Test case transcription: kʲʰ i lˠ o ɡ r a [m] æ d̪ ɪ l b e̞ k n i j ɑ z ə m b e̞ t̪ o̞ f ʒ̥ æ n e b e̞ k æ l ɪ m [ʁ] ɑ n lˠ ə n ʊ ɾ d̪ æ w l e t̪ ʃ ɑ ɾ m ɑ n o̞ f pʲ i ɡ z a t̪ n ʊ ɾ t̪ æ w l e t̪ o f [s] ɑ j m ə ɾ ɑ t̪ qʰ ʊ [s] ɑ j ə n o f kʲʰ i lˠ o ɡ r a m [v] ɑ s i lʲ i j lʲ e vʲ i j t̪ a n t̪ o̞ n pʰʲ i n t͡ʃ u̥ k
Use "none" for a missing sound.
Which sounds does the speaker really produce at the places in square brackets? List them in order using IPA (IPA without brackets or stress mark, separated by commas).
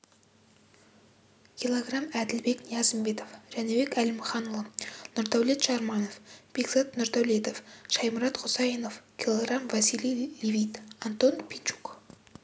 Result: m, χ, ʃ, s, v